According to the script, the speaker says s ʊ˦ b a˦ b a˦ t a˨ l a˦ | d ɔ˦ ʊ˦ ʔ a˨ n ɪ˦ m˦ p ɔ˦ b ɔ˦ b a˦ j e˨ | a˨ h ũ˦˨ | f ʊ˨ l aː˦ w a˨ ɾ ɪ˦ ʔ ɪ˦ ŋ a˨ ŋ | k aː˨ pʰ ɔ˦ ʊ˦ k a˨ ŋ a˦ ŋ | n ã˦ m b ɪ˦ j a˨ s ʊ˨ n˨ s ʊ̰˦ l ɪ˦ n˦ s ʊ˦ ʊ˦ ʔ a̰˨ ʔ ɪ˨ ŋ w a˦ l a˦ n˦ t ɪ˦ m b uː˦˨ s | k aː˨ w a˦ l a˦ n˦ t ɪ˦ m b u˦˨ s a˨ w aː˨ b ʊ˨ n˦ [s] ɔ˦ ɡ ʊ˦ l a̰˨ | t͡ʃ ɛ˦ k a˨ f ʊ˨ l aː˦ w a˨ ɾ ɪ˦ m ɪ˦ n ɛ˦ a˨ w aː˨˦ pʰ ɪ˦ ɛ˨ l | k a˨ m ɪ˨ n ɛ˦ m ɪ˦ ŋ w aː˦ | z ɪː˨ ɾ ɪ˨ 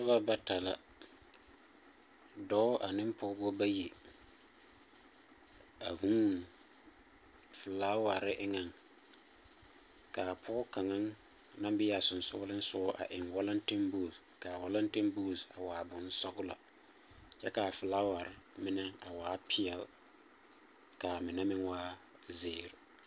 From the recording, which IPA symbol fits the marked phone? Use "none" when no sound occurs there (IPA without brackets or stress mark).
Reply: s